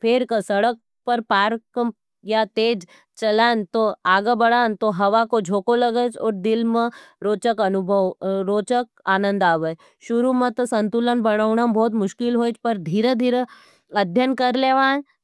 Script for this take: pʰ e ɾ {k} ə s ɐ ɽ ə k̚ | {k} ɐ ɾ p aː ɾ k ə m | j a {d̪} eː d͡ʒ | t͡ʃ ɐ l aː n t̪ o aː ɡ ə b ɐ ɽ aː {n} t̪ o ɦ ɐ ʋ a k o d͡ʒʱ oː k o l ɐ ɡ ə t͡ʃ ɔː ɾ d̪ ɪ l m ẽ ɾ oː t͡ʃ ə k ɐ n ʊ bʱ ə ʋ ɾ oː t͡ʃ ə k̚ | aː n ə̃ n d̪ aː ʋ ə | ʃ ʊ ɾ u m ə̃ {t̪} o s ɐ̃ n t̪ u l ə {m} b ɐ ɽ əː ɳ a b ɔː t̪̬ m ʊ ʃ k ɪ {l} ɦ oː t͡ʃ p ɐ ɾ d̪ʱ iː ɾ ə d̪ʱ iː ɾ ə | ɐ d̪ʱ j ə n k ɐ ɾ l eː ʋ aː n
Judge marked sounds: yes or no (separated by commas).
yes, no, no, yes, yes, no, yes